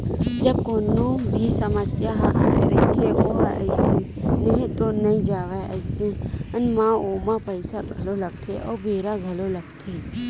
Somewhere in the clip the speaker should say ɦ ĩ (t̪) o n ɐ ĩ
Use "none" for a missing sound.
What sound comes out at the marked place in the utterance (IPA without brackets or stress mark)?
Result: t̪